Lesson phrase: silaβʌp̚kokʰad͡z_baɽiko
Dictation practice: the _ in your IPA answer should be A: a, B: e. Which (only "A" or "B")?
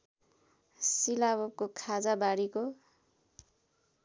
A